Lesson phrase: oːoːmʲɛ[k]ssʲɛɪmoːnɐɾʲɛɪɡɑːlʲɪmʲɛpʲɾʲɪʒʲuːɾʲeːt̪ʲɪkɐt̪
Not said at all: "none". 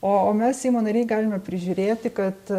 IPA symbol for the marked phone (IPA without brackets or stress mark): none